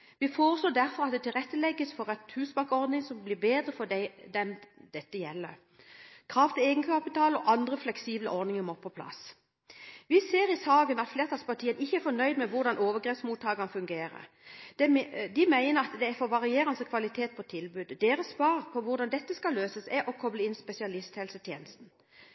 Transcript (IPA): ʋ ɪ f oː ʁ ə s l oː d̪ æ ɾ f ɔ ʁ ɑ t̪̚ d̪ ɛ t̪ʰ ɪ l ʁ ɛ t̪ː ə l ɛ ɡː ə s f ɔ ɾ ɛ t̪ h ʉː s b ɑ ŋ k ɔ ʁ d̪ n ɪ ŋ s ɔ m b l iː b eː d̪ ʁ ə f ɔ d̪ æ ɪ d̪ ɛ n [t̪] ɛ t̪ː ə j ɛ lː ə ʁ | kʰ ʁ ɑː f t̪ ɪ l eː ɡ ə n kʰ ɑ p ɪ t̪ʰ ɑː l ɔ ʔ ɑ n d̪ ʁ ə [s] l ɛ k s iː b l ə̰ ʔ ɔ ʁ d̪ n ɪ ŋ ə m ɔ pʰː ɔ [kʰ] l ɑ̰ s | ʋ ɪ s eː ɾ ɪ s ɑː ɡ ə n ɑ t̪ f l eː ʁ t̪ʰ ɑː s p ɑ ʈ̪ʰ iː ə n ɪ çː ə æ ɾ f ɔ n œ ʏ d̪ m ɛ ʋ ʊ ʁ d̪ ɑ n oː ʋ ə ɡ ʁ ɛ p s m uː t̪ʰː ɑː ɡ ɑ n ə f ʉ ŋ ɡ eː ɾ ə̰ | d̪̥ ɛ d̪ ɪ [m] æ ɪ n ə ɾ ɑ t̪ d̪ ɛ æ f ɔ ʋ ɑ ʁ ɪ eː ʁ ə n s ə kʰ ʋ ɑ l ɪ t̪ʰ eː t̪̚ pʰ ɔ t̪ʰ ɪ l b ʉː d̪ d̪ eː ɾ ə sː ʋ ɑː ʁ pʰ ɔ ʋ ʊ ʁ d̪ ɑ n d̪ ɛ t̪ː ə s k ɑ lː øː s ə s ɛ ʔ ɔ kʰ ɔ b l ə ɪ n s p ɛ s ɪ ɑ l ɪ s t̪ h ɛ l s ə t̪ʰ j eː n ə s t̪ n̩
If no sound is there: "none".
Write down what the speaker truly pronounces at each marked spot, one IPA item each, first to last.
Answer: d̪, f, pʰ, m

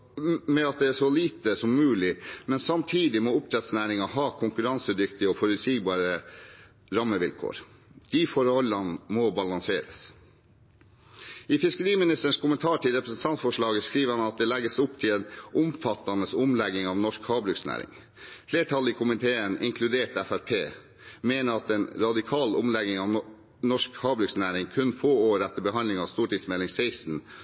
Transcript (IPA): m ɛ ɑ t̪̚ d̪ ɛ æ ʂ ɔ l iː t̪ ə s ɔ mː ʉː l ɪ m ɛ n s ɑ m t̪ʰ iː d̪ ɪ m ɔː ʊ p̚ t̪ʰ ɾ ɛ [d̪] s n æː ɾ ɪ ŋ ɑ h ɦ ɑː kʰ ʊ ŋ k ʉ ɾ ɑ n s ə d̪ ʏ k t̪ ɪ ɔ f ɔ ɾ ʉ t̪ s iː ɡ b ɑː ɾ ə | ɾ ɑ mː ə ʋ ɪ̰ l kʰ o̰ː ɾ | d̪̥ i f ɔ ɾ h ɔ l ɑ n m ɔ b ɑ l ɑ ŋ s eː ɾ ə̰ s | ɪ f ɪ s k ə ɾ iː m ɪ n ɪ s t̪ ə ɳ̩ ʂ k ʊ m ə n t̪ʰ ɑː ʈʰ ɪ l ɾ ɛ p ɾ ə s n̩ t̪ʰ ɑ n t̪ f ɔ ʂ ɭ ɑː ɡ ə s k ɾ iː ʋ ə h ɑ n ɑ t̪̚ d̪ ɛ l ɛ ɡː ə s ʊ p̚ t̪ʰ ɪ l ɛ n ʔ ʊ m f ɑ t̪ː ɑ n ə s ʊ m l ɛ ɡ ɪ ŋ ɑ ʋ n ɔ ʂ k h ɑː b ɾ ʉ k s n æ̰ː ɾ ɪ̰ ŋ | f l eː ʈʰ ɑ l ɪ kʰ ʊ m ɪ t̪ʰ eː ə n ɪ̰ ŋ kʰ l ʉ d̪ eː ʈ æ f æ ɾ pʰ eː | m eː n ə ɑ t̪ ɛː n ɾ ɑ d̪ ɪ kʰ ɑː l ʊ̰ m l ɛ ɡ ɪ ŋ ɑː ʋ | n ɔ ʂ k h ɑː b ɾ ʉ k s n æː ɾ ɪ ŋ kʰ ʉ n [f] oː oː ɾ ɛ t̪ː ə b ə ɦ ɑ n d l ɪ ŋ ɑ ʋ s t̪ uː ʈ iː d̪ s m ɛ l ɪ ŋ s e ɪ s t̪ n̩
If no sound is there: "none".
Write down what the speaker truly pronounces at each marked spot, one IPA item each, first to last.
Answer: t̪, f

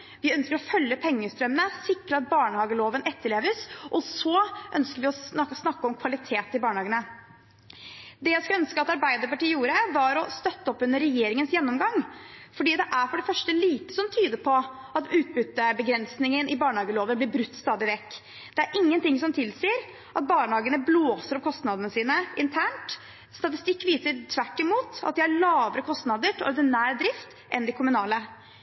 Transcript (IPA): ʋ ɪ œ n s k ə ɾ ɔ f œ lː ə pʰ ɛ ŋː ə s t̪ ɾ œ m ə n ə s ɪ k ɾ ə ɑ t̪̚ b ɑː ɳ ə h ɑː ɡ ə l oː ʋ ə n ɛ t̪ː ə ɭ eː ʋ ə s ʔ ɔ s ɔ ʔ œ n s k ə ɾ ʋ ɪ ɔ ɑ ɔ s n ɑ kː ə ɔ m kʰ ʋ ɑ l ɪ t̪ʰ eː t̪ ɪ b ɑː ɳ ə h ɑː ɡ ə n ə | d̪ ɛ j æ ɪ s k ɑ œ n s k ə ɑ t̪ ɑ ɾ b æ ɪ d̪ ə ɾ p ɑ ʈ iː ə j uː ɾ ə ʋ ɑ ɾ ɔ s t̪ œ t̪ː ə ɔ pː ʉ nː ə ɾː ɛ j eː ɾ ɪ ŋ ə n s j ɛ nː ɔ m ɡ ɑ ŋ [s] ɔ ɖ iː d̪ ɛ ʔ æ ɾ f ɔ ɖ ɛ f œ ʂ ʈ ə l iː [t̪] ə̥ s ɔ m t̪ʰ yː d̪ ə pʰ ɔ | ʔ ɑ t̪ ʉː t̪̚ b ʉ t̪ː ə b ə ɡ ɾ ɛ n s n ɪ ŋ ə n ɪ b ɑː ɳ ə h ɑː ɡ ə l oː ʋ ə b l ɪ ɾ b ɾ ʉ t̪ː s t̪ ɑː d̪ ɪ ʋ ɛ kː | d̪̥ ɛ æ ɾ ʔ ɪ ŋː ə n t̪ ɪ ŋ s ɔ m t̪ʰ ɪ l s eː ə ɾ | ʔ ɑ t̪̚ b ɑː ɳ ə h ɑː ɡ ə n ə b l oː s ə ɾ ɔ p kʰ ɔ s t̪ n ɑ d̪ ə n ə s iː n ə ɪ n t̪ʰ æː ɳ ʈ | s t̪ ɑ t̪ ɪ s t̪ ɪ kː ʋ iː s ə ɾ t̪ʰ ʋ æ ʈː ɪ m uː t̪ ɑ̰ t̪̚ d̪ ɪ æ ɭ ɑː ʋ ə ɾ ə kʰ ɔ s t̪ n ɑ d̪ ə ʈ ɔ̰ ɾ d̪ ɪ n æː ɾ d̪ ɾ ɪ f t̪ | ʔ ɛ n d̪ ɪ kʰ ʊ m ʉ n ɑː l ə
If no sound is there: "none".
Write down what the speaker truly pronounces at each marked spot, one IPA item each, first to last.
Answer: f, t̪

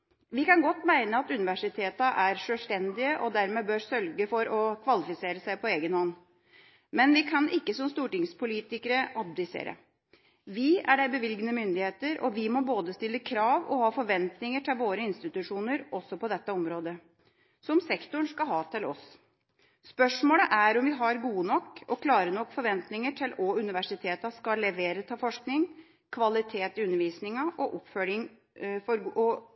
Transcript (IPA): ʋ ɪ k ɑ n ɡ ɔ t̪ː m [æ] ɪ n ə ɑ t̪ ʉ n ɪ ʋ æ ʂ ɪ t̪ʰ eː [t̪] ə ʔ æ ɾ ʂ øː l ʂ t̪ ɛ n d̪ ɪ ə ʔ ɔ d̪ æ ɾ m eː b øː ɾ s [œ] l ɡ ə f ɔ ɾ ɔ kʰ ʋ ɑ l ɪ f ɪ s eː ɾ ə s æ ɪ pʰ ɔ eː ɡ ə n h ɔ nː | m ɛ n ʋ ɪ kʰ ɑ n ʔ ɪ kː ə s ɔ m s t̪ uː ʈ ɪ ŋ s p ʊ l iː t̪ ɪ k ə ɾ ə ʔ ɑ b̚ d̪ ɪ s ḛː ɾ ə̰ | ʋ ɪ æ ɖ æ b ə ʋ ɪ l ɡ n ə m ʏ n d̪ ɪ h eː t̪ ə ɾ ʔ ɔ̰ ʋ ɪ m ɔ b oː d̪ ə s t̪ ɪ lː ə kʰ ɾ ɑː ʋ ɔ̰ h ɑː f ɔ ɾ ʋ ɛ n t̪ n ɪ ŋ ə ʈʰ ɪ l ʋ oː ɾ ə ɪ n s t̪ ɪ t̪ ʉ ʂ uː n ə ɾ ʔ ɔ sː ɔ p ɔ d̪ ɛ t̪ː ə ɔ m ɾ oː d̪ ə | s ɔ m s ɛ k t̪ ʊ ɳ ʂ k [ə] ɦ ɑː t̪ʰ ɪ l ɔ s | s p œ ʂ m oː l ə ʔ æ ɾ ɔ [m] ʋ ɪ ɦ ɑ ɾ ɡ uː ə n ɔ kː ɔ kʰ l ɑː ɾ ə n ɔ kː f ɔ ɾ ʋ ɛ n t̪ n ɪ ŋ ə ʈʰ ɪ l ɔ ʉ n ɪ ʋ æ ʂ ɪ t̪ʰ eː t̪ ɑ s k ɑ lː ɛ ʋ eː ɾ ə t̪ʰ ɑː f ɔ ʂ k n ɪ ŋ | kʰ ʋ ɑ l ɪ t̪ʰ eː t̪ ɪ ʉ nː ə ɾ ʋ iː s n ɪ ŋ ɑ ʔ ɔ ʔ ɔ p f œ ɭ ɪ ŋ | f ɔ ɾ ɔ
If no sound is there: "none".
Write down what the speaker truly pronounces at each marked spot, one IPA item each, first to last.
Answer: æ, t̪, œ, ɑ, m

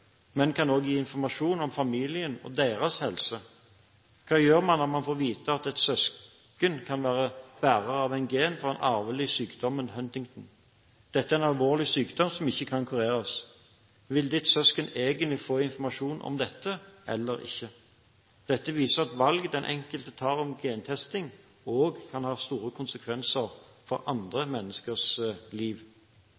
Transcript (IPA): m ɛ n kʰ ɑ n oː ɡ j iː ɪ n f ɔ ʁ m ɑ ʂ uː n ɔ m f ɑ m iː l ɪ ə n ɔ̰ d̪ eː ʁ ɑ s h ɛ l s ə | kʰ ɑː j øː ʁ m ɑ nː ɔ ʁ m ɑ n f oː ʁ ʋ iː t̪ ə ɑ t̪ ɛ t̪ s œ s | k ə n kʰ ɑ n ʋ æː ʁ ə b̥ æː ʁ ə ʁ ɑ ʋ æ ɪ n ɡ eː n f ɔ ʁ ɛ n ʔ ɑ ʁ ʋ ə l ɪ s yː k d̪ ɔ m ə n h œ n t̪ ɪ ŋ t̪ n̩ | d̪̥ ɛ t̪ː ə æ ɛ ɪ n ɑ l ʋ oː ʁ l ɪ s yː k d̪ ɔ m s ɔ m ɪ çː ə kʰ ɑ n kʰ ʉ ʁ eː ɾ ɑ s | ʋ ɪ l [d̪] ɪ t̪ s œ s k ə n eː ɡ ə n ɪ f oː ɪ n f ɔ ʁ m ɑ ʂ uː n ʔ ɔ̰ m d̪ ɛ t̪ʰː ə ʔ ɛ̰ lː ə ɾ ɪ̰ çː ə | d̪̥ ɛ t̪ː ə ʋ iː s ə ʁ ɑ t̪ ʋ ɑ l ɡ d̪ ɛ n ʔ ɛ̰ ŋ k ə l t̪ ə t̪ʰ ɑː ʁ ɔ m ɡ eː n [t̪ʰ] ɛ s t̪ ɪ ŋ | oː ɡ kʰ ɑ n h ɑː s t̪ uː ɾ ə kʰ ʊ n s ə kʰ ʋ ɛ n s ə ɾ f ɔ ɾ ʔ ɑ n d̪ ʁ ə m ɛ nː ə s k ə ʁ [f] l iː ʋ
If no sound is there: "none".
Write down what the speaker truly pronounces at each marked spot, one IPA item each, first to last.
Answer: d̪, t̪ʰ, s

